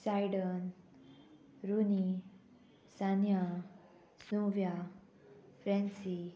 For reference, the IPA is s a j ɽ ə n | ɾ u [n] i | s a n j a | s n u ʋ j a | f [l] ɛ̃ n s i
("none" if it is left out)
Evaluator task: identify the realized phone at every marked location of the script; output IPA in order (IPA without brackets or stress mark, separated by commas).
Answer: n, ɾ